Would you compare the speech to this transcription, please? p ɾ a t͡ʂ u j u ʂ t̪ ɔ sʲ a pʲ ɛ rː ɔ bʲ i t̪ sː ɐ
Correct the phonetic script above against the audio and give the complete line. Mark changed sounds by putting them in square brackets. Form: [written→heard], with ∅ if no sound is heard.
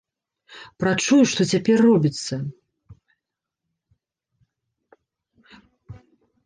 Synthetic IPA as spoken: p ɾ a t͡ʂ u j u ʂ t̪ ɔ [sʲ→t͡sʲ] a pʲ ɛ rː ɔ bʲ i t̪ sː ɐ